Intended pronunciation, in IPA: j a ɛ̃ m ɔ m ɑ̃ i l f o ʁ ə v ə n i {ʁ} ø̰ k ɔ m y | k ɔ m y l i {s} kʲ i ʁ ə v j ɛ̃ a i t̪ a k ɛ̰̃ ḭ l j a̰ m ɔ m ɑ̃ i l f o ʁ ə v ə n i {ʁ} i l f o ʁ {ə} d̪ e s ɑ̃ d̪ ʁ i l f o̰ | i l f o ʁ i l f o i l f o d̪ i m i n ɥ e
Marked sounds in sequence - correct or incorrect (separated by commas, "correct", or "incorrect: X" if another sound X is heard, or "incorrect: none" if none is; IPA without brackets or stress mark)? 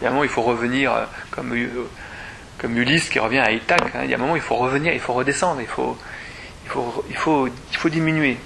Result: correct, correct, correct, correct